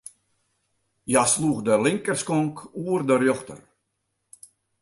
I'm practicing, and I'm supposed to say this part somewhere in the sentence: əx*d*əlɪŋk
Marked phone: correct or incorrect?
correct